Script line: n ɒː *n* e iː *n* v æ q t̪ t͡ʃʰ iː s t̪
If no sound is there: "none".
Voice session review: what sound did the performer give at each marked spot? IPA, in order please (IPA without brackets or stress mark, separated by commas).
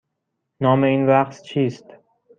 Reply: m, n